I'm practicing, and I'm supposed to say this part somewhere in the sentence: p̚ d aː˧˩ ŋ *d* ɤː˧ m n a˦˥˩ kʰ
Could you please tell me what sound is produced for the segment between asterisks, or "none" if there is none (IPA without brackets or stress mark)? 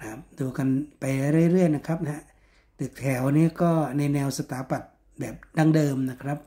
d